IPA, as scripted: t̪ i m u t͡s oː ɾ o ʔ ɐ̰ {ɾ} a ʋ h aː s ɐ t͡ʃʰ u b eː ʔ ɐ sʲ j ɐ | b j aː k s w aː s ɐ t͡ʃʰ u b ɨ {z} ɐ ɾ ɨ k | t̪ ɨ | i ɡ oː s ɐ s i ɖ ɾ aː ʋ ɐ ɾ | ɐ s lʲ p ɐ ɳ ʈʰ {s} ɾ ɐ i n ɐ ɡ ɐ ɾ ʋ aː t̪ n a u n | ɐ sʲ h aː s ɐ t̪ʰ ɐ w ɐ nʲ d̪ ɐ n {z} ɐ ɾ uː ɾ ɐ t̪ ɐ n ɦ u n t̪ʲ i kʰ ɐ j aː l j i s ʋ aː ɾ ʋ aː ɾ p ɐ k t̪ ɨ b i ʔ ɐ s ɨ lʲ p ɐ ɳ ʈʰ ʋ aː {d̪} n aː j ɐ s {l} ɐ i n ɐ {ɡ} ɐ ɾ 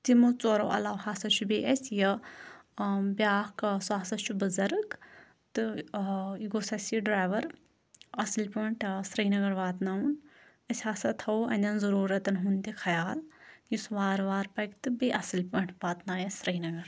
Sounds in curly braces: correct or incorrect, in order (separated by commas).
incorrect, correct, correct, correct, incorrect, incorrect, correct